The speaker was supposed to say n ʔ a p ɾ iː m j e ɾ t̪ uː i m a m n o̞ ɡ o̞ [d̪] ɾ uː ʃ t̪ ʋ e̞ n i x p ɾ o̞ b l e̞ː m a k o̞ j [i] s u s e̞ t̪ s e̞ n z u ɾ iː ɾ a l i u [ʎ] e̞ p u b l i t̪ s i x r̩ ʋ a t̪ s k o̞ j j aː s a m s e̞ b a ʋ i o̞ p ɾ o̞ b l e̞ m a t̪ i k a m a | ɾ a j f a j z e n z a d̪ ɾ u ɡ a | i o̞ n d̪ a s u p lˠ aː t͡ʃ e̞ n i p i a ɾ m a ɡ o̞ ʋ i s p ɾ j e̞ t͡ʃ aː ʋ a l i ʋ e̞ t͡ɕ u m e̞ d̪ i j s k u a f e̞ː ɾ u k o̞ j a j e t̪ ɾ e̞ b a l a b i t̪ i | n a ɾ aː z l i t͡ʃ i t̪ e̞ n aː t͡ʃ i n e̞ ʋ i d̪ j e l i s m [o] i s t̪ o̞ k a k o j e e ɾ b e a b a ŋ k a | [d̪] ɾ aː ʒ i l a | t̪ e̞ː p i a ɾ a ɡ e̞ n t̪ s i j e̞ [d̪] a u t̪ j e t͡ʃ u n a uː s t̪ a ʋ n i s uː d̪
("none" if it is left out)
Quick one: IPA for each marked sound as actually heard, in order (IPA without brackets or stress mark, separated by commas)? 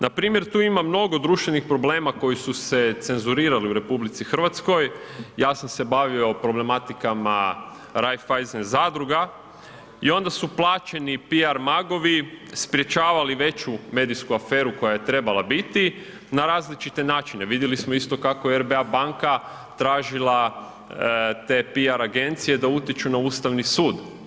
d̪, i, ɾ, o, t̪, d̪